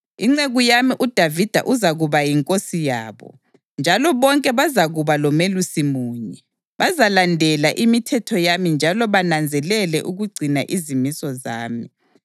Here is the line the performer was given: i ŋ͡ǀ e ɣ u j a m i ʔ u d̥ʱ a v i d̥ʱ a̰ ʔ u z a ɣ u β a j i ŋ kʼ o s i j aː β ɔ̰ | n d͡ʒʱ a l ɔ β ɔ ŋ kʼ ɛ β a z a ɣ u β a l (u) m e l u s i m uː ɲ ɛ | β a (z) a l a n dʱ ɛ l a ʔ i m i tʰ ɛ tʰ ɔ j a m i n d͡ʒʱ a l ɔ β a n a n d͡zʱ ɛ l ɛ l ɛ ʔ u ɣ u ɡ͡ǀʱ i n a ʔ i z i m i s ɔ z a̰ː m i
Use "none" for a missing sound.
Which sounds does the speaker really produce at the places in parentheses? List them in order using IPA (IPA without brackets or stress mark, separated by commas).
ɔ, z